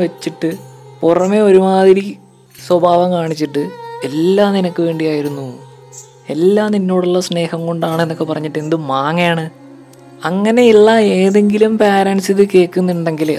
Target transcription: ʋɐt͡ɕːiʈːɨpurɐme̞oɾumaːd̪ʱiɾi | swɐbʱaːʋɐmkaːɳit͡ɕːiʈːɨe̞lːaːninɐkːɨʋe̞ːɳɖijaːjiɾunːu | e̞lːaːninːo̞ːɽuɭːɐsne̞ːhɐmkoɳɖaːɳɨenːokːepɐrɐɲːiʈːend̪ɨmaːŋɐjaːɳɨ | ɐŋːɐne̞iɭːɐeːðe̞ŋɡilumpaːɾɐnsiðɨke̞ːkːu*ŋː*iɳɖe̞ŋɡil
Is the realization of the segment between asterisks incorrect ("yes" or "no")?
yes